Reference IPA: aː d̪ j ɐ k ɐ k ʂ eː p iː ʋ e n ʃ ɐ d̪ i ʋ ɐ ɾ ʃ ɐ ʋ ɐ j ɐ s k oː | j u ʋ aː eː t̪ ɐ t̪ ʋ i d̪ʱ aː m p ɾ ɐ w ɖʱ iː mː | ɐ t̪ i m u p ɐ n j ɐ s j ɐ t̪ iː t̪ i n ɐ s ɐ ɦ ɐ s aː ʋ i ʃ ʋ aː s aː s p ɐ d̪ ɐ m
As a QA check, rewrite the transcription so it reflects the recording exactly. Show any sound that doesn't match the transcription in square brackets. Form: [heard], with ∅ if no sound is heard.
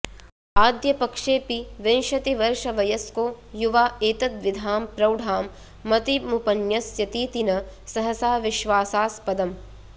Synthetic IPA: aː d̪ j ɐ [p] ɐ k ʂ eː p [i] ʋ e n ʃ ɐ [t̪] i ʋ ɐ ɾ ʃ ɐ ʋ ɐ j ɐ s k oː | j u ʋ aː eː t̪ ɐ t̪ ʋ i d̪ʱ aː m p ɾ ɐ w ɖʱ [aː] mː | ɐ t̪ i m u p ɐ n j ɐ s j ɐ t̪ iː t̪ i n ɐ s ɐ ɦ ɐ s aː ʋ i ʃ ʋ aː s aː s p ɐ d̪ ɐ m